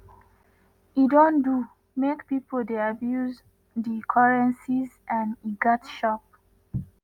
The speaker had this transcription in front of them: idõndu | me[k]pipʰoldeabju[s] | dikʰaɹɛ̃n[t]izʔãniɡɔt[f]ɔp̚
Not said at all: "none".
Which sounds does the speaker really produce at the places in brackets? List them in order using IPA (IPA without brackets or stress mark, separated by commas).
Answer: k, z, s, ʃ